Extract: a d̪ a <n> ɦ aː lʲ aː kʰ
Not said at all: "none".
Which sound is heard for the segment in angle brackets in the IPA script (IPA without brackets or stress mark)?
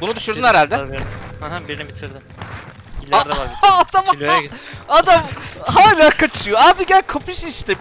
m